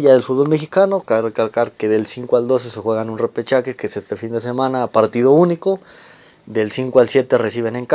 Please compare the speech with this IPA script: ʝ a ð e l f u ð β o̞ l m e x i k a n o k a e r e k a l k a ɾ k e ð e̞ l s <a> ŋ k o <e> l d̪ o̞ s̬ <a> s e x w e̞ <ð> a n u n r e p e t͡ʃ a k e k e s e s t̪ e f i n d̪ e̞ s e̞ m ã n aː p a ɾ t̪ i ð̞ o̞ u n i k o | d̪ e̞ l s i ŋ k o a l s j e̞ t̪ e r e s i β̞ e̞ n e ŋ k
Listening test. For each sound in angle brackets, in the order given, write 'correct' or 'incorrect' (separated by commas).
incorrect, incorrect, incorrect, incorrect